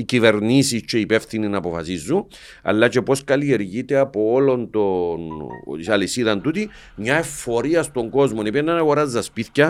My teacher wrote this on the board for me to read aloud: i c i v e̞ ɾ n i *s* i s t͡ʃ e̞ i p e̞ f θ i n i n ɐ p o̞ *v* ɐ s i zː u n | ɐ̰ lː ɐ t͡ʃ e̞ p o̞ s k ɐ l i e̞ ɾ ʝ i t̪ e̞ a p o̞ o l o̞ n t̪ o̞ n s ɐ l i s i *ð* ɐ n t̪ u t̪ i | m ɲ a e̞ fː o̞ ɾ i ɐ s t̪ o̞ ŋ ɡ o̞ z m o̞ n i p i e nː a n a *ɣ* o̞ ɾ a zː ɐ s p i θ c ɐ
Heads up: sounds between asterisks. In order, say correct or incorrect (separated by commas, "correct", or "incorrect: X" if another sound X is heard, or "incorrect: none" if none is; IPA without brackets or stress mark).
correct, incorrect: f, correct, correct